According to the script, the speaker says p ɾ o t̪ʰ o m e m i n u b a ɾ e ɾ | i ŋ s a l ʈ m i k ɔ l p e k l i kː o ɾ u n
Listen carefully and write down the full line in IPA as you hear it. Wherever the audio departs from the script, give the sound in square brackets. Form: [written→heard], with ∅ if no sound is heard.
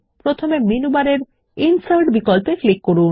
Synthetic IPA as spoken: p ɾ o t̪ʰ o m e m i n u b a ɾ e ɾ | i [ŋ→n] s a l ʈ [m→b] i k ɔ l p e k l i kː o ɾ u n